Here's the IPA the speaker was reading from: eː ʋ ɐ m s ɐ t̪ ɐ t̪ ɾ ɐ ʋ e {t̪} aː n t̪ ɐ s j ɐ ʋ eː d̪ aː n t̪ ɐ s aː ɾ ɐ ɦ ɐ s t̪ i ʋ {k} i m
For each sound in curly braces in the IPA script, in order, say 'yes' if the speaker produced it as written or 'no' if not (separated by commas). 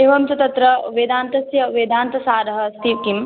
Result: no, yes